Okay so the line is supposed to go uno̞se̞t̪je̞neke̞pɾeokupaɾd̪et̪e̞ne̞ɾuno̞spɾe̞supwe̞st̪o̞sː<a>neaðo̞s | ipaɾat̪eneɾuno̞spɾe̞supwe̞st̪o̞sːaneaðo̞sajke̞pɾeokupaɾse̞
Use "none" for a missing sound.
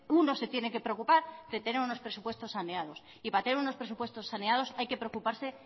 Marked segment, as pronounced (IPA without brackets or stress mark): a